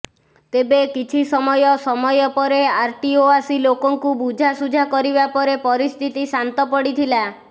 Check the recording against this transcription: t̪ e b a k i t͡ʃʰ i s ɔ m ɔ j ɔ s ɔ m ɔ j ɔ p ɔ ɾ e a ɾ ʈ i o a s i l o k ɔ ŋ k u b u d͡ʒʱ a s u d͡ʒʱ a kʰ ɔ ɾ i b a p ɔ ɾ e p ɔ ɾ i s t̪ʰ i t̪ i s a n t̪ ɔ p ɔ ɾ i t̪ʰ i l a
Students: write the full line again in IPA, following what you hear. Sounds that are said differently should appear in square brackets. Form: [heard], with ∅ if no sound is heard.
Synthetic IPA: t̪ e b [e] k i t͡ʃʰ i s ɔ m ɔ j ɔ s ɔ m ɔ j ɔ p ɔ ɾ e a ɾ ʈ i o a s i l o k ɔ ŋ k u b u d͡ʒʱ a s u d͡ʒʱ a [k] ɔ ɾ i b a p ɔ ɾ e p ɔ ɾ i s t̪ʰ i t̪ i s a n t̪ ɔ p ɔ [ɽ] i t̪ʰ i l a